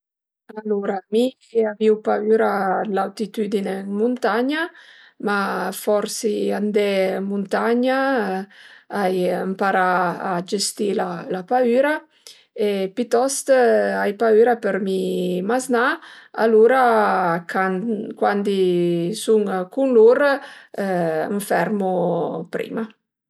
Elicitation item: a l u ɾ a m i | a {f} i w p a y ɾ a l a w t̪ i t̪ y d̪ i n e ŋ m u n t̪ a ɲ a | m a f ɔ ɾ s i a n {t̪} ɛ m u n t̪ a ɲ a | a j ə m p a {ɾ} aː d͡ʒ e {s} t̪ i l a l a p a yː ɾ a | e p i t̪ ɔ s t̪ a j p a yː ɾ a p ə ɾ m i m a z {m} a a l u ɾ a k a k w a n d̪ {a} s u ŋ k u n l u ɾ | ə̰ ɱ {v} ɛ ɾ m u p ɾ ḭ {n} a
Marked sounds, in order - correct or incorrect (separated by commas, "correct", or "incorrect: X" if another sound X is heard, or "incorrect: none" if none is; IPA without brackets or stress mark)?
incorrect: v, incorrect: d̪, correct, correct, incorrect: n, incorrect: i, incorrect: f, incorrect: m